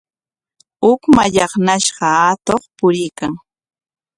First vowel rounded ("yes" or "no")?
yes